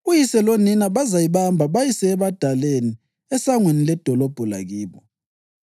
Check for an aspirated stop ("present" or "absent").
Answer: absent